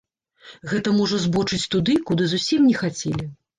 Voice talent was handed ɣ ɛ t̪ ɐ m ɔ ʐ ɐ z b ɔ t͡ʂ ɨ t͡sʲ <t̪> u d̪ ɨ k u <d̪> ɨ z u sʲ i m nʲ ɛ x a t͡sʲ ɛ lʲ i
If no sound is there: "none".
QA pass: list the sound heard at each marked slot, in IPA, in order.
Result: t̪, d̪

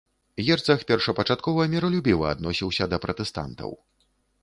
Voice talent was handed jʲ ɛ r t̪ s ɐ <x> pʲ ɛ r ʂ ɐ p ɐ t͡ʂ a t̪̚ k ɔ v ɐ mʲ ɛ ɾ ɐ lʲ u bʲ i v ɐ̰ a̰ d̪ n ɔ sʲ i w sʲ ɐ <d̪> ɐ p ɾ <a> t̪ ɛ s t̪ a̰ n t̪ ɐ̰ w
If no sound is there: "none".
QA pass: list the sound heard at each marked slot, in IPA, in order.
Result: x, d̪, ɐ

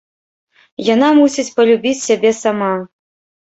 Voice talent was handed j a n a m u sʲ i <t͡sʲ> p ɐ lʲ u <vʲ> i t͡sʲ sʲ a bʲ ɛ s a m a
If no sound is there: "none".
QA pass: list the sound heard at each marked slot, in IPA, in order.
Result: t͡sʲ, bʲ

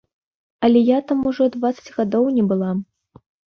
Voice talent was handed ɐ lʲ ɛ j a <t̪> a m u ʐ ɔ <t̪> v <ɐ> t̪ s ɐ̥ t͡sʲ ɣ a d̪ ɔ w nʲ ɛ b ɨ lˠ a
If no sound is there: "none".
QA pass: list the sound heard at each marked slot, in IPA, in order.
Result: t̪, d̪, a

